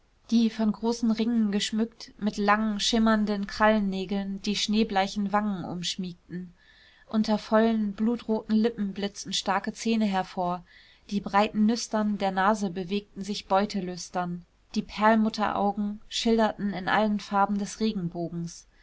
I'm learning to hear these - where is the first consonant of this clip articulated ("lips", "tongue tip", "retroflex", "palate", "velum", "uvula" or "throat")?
tongue tip